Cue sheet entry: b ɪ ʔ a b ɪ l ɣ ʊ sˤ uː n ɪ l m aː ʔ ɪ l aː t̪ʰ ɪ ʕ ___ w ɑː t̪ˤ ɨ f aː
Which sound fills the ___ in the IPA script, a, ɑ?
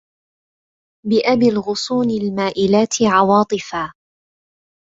ɑ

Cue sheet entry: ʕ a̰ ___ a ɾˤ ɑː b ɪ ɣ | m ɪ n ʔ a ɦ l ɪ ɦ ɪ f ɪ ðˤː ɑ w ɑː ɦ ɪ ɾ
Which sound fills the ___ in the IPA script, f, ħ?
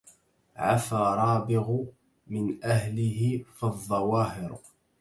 f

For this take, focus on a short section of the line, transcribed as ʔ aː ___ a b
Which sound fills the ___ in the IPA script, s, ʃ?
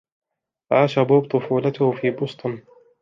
ʃ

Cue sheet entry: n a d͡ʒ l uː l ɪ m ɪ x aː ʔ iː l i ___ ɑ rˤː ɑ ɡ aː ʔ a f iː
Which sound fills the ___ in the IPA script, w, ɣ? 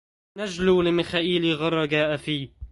ɣ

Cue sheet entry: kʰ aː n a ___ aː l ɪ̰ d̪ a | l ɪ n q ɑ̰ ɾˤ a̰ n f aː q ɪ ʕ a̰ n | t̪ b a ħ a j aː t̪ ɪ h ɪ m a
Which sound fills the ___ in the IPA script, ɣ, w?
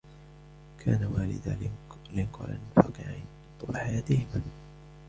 w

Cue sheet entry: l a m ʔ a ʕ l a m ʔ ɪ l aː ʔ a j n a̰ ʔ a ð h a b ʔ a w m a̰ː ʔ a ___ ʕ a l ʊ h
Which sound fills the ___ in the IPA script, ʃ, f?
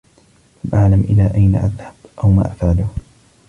f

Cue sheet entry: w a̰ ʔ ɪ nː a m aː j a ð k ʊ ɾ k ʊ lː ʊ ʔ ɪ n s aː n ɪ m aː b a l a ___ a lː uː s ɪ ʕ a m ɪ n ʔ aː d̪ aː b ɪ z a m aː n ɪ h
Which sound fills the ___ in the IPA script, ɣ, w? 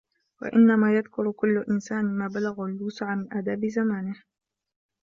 ɣ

